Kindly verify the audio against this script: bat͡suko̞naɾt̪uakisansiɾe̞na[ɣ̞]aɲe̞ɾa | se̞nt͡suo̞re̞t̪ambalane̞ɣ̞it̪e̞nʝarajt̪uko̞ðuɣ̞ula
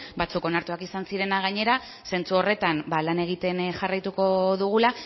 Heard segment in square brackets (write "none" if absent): ɣ̞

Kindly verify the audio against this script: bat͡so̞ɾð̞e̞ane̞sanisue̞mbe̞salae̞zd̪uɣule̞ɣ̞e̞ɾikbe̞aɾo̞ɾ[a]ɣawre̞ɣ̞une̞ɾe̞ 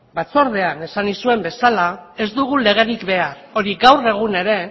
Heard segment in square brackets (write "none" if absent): i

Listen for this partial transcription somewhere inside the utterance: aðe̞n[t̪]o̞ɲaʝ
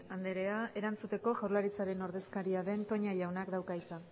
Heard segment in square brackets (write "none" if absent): t̪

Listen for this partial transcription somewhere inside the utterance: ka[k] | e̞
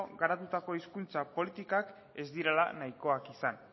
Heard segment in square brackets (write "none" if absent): k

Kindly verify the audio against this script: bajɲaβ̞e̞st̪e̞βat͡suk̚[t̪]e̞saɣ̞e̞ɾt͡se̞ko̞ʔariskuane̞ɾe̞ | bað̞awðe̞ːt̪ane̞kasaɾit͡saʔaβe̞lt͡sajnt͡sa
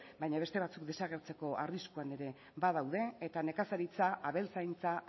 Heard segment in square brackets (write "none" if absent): d̪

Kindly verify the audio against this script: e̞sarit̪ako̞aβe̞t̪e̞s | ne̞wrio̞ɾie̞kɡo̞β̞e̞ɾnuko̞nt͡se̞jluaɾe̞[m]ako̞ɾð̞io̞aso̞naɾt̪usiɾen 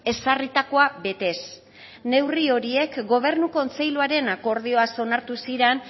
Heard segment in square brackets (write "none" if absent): n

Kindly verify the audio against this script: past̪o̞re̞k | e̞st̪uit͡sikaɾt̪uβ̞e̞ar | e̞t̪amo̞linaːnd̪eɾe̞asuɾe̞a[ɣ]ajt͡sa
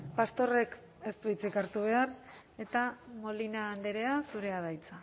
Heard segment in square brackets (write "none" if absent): ð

